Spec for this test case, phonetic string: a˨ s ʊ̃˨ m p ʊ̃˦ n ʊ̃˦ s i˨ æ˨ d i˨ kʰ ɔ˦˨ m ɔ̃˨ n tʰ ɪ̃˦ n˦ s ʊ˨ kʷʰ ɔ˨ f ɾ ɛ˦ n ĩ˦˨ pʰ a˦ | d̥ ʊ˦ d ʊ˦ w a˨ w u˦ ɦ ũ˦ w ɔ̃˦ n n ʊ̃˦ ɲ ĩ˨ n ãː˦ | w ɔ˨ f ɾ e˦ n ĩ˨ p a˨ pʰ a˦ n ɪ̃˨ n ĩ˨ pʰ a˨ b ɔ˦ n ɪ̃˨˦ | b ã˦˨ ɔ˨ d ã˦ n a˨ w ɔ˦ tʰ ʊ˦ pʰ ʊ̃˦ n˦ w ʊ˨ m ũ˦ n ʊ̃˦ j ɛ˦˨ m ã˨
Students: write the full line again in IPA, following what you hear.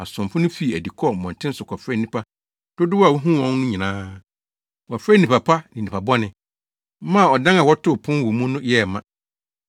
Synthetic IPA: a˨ s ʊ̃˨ m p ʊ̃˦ n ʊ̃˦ f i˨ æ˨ d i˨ kʰ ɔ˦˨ m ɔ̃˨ n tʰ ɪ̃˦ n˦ s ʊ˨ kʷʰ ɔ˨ f ɾ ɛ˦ n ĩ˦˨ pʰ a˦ | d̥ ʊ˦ d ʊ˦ w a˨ w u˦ ɦ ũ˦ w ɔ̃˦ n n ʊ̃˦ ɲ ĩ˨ n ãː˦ | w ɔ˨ f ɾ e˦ n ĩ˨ p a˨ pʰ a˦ n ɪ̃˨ n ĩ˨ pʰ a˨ b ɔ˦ n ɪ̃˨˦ | m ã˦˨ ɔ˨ d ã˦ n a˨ w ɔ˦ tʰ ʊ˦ pʰ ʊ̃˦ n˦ w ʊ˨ m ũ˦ n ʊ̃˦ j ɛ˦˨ m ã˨